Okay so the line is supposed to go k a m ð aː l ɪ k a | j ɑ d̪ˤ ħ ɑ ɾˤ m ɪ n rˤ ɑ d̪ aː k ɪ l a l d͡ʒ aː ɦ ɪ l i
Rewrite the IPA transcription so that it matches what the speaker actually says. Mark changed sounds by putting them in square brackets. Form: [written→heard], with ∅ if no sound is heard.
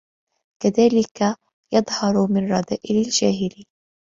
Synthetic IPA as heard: k a [m→∅] ð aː l ɪ k a | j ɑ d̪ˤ [ħ→h] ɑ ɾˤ m ɪ n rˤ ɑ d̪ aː [k→ʔ] ɪ l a l d͡ʒ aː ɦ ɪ l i